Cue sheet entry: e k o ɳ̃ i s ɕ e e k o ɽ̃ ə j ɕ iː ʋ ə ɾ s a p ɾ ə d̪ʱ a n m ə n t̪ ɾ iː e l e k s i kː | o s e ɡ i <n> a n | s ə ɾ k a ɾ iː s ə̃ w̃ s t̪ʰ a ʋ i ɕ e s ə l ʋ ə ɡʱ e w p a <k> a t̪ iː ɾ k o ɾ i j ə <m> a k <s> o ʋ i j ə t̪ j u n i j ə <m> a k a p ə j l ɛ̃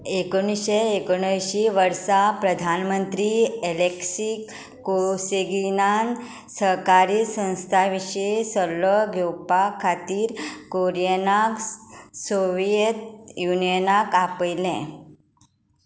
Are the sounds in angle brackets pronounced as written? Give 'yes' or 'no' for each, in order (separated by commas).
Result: yes, no, no, yes, no